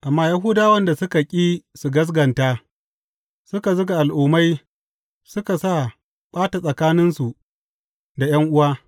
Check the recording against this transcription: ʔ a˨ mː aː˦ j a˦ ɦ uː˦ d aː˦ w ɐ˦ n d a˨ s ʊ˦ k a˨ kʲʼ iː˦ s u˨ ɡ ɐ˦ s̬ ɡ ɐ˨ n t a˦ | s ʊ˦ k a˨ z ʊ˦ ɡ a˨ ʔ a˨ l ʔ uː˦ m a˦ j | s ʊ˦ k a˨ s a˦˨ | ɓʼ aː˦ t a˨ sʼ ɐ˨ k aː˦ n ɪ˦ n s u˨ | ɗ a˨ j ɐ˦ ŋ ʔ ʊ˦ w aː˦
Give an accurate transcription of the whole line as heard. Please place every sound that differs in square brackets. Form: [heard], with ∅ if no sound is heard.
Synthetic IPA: ʔ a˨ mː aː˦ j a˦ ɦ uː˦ d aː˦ w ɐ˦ n d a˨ s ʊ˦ k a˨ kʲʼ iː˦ s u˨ ɡ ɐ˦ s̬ ɡ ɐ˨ n t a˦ | s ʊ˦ k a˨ z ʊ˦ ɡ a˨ ʔ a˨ l ʔ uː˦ m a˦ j | s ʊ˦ k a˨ s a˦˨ | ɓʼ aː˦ t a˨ sʼ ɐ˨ k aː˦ n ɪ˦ n s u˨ | [d] a˨ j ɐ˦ ŋ ʔ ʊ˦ w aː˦